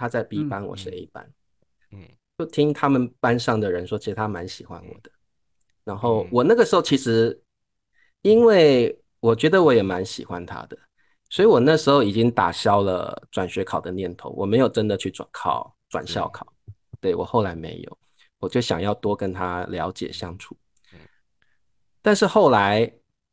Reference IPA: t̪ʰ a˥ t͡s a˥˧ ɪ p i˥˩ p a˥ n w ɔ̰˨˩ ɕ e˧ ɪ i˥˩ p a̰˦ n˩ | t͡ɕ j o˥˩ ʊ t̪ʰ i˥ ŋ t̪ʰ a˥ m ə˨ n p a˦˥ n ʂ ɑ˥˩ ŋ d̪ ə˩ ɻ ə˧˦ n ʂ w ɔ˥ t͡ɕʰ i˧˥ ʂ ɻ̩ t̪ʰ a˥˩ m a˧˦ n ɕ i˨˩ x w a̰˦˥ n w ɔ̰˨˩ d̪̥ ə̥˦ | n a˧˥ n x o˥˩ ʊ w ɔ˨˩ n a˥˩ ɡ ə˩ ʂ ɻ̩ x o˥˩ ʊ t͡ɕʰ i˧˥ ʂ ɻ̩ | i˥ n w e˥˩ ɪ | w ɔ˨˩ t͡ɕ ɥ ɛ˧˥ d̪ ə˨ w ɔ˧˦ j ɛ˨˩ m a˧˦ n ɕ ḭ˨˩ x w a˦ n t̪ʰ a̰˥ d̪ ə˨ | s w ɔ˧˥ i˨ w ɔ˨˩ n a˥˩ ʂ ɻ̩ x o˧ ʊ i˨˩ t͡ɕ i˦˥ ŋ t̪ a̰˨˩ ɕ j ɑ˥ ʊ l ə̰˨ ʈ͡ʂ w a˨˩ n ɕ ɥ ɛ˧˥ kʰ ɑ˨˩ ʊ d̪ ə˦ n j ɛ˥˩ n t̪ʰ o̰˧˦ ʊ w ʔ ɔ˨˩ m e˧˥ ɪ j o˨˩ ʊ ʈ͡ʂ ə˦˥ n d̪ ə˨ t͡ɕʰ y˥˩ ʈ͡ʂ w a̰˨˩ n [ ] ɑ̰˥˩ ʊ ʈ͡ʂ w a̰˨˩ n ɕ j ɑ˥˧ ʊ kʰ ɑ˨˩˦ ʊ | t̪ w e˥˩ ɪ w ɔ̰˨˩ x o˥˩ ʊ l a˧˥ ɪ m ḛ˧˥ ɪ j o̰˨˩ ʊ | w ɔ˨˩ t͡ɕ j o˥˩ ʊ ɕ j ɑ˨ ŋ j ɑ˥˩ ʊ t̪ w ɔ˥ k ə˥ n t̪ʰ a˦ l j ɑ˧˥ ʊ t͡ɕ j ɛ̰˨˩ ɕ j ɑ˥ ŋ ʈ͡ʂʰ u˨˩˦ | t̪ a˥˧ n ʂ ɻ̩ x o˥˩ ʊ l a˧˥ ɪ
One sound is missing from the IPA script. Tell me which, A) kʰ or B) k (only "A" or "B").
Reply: A